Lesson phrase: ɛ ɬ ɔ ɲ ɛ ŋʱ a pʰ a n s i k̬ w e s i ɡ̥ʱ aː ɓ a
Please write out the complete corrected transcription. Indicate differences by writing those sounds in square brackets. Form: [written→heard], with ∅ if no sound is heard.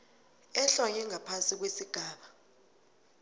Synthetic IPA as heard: ɛ ɬ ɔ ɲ ɛ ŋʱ a pʰ a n s i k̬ w e s i ɡ̥ʱ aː ɓ a